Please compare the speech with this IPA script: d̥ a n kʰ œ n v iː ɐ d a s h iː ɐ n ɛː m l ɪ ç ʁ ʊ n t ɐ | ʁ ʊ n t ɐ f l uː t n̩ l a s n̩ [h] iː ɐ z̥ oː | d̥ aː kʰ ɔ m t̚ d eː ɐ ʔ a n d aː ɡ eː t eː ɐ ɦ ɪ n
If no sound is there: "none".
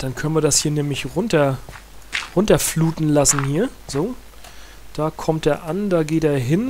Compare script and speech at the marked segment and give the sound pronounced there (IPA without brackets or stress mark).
h